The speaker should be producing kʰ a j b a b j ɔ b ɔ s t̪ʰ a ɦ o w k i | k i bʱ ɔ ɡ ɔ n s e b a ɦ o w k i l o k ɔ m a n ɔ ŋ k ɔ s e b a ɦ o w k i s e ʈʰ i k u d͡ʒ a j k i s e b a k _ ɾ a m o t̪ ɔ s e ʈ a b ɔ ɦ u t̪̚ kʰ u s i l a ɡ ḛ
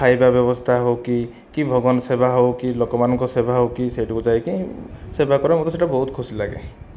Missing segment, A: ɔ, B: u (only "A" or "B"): A